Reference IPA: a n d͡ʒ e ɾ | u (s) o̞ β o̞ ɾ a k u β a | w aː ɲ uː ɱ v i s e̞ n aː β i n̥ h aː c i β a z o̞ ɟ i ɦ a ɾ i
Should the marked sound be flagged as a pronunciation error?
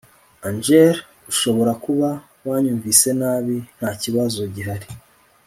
yes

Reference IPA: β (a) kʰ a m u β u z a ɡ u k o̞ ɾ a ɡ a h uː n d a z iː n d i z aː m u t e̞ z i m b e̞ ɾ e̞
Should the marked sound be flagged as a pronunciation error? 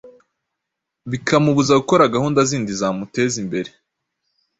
yes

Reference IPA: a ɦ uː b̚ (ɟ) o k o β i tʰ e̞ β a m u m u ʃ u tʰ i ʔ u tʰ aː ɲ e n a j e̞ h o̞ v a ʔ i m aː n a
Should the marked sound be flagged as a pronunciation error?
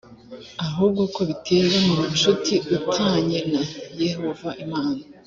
yes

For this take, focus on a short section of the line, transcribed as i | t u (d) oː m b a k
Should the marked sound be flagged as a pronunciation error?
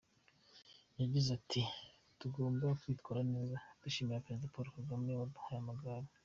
yes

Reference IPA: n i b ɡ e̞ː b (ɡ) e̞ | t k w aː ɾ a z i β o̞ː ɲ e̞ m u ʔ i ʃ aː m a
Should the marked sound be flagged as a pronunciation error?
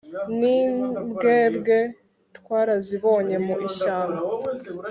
no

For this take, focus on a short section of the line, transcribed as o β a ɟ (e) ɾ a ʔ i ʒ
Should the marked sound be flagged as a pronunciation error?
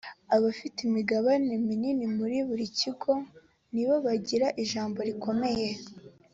yes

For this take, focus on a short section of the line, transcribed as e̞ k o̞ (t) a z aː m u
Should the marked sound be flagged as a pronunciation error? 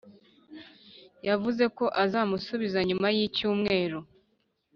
yes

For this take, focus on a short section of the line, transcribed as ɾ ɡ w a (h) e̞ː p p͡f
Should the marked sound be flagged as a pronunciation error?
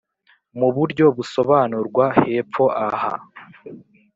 no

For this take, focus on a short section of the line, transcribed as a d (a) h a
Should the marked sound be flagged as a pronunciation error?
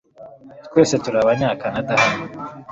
no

